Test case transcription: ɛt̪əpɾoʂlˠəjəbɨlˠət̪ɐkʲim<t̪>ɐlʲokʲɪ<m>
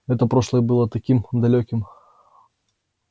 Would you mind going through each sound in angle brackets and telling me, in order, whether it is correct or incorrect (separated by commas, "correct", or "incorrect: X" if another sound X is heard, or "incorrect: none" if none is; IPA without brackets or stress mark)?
incorrect: d̪, correct